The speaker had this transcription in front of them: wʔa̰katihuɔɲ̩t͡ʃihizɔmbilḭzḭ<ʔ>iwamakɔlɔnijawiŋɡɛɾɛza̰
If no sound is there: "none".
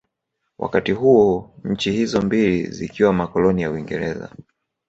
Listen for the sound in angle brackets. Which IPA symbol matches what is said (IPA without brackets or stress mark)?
k